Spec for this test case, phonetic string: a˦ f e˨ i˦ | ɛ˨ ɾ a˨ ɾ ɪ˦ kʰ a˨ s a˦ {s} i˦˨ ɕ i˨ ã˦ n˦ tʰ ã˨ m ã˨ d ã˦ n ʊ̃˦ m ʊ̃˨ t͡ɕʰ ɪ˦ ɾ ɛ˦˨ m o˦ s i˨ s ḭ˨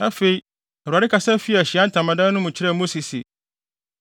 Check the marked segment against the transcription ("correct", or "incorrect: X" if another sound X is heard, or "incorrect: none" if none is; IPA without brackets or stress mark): incorrect: f